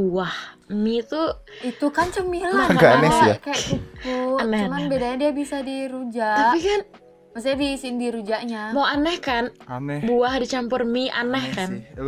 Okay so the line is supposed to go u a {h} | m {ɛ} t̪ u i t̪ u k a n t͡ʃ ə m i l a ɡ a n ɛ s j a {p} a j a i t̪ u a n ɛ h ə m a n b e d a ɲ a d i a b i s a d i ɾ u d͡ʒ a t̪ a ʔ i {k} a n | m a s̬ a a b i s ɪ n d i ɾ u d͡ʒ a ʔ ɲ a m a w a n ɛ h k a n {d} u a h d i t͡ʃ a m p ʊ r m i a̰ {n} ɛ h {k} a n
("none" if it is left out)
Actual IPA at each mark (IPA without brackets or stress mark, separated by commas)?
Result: h, i, k, k, b, n, k